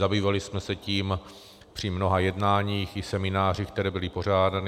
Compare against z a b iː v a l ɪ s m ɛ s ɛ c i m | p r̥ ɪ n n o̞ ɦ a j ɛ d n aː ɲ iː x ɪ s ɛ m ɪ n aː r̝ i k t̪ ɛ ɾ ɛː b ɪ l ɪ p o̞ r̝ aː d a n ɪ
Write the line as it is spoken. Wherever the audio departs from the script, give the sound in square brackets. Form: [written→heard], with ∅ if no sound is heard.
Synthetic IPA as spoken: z a b iː v a l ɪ s m ɛ s ɛ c [i→iː] m | p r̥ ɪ [n→m] n o̞ ɦ a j ɛ d n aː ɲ iː x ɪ s ɛ m ɪ n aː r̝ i k t̪ ɛ ɾ ɛː b ɪ l ɪ p o̞ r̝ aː d a n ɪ

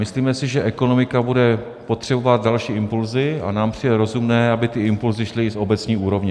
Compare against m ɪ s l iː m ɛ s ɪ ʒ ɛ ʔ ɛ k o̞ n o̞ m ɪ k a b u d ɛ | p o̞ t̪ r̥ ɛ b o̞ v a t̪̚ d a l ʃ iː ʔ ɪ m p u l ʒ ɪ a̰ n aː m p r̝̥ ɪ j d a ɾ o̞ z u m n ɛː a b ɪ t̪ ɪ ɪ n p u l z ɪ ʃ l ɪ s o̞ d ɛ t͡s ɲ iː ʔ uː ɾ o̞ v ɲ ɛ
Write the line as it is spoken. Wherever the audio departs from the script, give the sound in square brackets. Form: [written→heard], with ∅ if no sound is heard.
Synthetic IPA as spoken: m ɪ s l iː m ɛ s ɪ ʒ ɛ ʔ ɛ k o̞ n o̞ m ɪ k a b u d ɛ | p o̞ t̪ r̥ ɛ b o̞ v a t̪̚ d a l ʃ iː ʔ ɪ m p u l [ʒ→z] ɪ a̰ n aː m p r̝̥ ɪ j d [a→ɛ] ɾ o̞ z u m n ɛː a b ɪ t̪ ɪ ɪ [n→m] p u l z ɪ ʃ l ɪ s o̞ [d→b] ɛ t͡s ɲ iː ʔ uː ɾ o̞ v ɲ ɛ

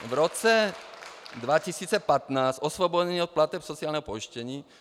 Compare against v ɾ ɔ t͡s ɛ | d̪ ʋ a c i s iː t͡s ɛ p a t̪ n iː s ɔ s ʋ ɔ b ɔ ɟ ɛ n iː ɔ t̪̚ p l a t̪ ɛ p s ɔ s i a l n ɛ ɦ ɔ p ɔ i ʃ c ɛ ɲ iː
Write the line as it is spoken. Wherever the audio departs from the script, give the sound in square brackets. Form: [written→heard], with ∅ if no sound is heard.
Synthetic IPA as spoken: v ɾ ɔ t͡s ɛ | d̪ ʋ a c i s iː t͡s ɛ p a t̪ n [iː→aː] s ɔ s ʋ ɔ b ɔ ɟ ɛ n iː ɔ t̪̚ p l a t̪ ɛ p s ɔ [s→t͡s] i a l n ɛ ɦ ɔ p ɔ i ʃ c ɛ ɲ iː

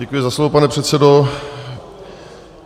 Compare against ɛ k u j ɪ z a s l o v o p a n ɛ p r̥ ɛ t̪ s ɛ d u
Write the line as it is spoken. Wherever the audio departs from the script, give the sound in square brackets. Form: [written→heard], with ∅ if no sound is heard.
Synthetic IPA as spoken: ɛ k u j ɪ z a s l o v o p a n ɛ p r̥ ɛ t̪ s ɛ d [u→o]

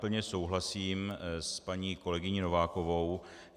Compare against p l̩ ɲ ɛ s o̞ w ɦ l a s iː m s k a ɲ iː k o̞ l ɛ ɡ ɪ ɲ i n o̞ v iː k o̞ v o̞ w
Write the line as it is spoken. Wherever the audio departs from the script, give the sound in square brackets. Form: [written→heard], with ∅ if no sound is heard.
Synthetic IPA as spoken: p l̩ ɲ ɛ s o̞ w ɦ l a s iː m s [k→p] a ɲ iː k o̞ l ɛ ɡ ɪ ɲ i n o̞ v [iː→aː] k o̞ v o̞ w

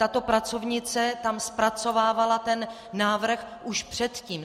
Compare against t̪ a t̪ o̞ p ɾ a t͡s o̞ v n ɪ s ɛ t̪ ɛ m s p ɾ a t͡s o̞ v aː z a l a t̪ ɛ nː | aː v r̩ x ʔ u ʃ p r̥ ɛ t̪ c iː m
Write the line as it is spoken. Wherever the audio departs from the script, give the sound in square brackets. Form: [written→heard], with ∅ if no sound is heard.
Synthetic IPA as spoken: t̪ a t̪ o̞ p ɾ a t͡s o̞ v [n→ɲ] ɪ [s→t͡s] ɛ t̪ [ɛ→a] m s p ɾ a t͡s o̞ v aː [z→v] a l a t̪ ɛ nː | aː v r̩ x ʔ u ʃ p r̥ ɛ t̪ c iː m

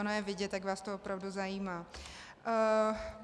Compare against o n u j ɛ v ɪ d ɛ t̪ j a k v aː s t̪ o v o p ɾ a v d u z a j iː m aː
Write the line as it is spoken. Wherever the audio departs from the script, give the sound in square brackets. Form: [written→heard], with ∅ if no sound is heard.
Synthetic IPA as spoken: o n [u→o] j ɛ v ɪ [d→ɟ] ɛ t̪ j a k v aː s t̪ o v o p ɾ a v d u z a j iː m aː

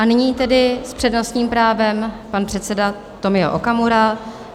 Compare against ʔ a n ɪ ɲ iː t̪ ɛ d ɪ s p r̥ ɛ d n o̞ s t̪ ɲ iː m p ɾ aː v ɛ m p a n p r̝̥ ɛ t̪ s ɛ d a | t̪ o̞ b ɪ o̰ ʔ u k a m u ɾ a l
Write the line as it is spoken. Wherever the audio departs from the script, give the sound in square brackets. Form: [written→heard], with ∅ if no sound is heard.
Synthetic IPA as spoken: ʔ a n ɪ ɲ iː t̪ ɛ d ɪ s p r̥ ɛ d n o̞ s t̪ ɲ iː m p ɾ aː v ɛ m p a n p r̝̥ ɛ t̪ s ɛ d a | t̪ o̞ [b→m] ɪ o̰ ʔ [u→o] k a m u ɾ a l

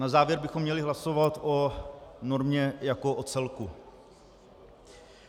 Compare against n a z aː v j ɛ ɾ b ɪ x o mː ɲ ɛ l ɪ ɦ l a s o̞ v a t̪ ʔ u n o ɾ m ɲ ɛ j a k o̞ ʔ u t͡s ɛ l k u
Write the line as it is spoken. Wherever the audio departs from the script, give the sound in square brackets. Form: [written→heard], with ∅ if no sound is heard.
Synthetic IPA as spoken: n a z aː v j ɛ ɾ b ɪ x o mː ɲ ɛ l ɪ ɦ l a s o̞ v a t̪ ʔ [u→o] n o ɾ m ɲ ɛ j a k o̞ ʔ [u→o] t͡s ɛ l k u

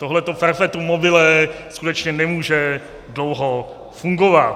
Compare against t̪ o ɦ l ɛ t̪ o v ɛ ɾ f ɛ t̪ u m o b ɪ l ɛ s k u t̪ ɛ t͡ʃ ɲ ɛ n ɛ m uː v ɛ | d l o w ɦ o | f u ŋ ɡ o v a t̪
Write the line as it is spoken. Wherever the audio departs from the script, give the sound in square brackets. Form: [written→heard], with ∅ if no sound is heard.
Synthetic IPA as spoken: t̪ o ɦ l ɛ t̪ o [v→f] ɛ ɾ f ɛ t̪ u m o b ɪ l ɛ s k u t̪ ɛ t͡ʃ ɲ ɛ n ɛ m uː [v→ʒ] ɛ | d l o w ɦ o | f u ŋ ɡ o v a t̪

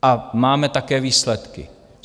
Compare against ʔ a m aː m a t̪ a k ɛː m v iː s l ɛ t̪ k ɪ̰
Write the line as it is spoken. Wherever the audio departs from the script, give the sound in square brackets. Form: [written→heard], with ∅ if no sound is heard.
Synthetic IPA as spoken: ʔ a m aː m [a→ɛ] t̪ a k ɛː [m→∅] v iː s l ɛ t̪ k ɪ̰

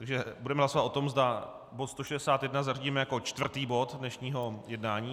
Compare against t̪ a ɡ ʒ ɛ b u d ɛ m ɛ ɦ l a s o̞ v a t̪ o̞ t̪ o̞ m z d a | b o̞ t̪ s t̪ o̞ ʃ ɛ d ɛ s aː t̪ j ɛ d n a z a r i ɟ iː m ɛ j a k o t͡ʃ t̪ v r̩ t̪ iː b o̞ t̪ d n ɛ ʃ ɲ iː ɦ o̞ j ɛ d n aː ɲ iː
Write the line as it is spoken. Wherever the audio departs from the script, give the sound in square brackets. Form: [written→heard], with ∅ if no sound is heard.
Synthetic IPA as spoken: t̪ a ɡ ʒ ɛ b u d ɛ m ɛ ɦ l a s o̞ v a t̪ o̞ t̪ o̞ m z d a | b o̞ t̪ s t̪ o̞ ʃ ɛ d ɛ s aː t̪ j ɛ d n a z a r i ɟ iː m ɛ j a k o t͡ʃ t̪ v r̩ t̪ iː b o̞ t̪ d n ɛ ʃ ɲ iː ɦ o̞ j ɛ d n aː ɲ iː

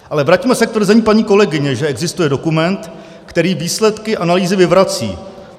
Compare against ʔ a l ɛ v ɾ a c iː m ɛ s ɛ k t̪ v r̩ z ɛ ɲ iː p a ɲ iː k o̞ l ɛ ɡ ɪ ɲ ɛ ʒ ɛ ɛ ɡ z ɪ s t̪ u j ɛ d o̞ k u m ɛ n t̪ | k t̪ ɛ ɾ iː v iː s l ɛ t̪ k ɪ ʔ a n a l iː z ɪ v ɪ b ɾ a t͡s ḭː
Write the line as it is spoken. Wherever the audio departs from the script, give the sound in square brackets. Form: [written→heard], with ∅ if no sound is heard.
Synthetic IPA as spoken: ʔ a l ɛ v ɾ a c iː m ɛ s ɛ k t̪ v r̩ z ɛ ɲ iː p a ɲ iː k o̞ l ɛ ɡ ɪ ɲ ɛ ʒ ɛ ɛ ɡ z ɪ s t̪ u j ɛ d o̞ k u m ɛ n t̪ | k t̪ ɛ ɾ iː v iː s l ɛ t̪ k ɪ ʔ a n a l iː z ɪ v ɪ [b→v] ɾ a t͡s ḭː

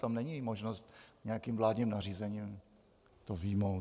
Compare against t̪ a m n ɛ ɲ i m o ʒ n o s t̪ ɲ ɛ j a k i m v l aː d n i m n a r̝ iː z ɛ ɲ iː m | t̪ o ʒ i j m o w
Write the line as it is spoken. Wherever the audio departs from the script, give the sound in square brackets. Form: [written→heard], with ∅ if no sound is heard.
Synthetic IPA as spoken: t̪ a m n ɛ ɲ i m o ʒ n o s t̪ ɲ ɛ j a k i m v l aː d [n→ɲ] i m n a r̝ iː z ɛ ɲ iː m | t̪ o [ʒ→v] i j m o w

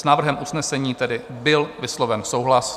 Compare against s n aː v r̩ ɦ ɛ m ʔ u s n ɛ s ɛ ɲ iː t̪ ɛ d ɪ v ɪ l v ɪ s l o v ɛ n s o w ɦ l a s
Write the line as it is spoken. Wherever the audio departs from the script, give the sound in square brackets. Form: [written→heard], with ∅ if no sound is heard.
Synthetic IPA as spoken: s n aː v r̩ ɦ ɛ m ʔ u s n ɛ s ɛ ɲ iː t̪ ɛ d ɪ [v→b] ɪ l v ɪ s l o v ɛ n s o w ɦ l a s

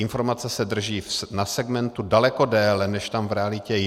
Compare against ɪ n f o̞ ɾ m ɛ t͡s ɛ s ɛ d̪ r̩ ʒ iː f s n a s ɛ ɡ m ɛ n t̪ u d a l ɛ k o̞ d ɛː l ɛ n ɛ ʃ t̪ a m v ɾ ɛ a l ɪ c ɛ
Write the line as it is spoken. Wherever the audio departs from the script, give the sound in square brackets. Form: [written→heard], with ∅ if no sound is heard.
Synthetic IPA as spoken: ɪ n f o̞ ɾ m [ɛ→a] t͡s ɛ s ɛ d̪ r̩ ʒ iː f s n a s ɛ ɡ m ɛ n t̪ u d a l ɛ k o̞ d ɛː l ɛ n ɛ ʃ t̪ a m v ɾ ɛ a l ɪ c ɛ

